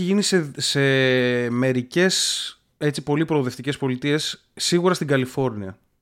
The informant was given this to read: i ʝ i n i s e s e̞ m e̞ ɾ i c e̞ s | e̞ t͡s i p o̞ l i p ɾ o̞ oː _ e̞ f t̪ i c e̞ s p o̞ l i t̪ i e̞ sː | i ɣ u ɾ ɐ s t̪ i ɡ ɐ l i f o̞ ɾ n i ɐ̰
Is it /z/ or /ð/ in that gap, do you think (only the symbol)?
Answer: ð